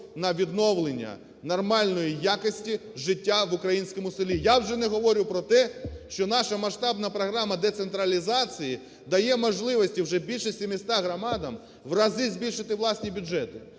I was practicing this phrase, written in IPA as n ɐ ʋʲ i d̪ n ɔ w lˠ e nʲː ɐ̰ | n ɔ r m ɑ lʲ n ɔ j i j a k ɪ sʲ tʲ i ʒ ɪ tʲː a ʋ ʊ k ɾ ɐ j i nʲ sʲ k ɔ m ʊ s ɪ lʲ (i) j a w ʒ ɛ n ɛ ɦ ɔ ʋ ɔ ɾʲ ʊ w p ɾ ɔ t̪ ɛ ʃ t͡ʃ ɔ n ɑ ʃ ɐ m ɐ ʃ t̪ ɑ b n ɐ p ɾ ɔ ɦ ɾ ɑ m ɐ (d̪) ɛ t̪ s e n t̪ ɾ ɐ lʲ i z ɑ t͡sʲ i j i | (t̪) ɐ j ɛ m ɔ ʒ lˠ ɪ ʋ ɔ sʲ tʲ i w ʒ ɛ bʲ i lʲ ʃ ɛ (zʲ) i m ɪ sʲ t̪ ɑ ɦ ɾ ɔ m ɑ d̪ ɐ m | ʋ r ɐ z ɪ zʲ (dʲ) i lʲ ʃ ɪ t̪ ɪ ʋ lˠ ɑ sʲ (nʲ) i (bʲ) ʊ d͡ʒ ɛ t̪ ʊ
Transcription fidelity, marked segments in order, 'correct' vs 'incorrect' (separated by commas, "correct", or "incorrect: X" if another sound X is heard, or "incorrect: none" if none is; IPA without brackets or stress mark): correct, correct, incorrect: d̪, incorrect: sʲ, incorrect: bʲ, correct, correct